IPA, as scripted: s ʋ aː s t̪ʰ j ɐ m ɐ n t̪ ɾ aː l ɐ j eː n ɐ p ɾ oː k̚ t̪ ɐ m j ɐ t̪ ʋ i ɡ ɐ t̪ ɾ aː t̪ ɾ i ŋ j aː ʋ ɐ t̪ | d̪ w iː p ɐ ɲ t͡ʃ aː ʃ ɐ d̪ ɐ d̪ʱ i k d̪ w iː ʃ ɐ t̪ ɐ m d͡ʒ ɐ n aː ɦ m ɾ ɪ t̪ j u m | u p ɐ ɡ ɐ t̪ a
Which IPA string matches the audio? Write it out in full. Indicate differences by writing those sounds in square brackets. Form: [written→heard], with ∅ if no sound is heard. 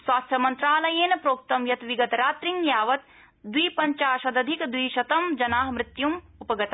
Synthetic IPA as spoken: s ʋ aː s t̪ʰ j ɐ m ɐ n t̪ ɾ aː l ɐ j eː n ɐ p ɾ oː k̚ t̪ ɐ m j ɐ t̪ ʋ i ɡ ɐ t̪ ɾ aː t̪ ɾ i ŋ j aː ʋ ɐ t̪ | d̪ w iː p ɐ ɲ t͡ʃ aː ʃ ɐ d̪ ɐ d̪ʱ i k d̪ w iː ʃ ɐ t̪ ɐ m d͡ʒ ɐ n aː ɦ m ɾ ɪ t̪ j u m | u p ɐ ɡ ɐ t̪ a